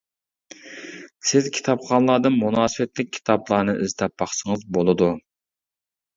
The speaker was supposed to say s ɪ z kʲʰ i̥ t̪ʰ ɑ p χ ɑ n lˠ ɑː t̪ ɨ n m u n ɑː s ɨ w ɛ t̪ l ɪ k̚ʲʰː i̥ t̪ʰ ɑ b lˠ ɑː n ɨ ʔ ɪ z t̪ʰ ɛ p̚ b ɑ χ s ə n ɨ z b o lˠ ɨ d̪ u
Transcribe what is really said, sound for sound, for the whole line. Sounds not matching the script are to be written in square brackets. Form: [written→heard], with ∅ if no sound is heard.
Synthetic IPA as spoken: s ɪ z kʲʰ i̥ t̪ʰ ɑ p χ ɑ n lˠ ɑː [t̪→d̪] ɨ n m u n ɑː s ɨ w ɛ t̪ l ɪ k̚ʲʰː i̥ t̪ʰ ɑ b lˠ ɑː n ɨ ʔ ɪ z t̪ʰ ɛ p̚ b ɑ χ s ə [n→ŋ] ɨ z b o lˠ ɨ d̪ u

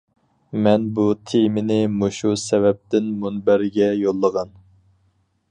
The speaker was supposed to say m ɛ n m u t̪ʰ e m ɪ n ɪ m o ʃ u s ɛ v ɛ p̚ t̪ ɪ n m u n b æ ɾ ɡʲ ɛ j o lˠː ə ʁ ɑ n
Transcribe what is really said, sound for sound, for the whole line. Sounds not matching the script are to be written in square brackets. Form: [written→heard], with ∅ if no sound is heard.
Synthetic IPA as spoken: m ɛ n [m→b] u t̪ʰ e m ɪ n ɪ m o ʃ u s ɛ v ɛ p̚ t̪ ɪ n m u n b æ ɾ ɡʲ ɛ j o lˠː ə ʁ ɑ n

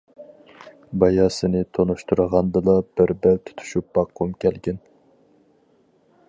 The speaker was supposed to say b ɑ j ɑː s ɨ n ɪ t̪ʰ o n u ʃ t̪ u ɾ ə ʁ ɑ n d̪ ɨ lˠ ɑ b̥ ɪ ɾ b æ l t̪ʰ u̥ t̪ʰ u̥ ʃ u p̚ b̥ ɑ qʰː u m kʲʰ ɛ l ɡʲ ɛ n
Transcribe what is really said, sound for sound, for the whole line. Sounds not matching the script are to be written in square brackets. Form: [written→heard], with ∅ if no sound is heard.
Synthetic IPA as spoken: b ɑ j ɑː s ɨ n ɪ t̪ʰ o n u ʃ t̪ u ɾ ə ʁ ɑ n d̪ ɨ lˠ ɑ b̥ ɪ ɾ b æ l t̪ʰ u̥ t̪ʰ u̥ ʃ u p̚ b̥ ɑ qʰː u m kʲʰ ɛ l ɡʲ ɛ n

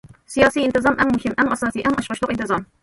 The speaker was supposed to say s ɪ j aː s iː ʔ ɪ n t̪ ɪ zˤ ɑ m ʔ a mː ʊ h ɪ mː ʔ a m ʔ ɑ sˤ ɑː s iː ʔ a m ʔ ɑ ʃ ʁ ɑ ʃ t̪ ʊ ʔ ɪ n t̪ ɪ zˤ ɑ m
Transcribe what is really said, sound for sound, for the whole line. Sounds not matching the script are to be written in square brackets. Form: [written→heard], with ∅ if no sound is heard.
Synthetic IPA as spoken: s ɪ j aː s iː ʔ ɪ n t̪ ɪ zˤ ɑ m ʔ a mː ʊ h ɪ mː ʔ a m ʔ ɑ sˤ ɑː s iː ʔ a m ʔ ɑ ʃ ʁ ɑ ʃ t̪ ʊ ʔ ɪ n t̪ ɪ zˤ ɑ m

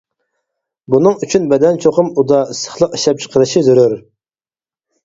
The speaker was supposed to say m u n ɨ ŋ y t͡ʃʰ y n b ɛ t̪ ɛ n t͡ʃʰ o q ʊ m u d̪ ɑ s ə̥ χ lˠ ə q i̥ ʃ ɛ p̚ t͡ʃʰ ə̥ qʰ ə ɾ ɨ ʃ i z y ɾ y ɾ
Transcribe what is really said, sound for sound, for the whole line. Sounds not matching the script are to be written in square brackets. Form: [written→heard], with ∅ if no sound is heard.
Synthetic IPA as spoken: [m→b] u n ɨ ŋ y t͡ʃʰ y n b ɛ [t̪→d̪] ɛ n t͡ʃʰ o q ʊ m u d̪ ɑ s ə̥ χ lˠ ə q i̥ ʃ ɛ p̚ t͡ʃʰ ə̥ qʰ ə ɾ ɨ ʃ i z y ɾ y ɾ

